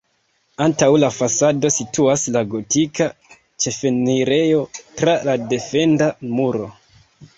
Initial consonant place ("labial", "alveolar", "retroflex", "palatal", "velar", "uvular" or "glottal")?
alveolar